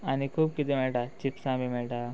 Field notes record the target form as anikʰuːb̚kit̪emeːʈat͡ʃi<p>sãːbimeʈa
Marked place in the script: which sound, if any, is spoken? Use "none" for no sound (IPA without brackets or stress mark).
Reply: p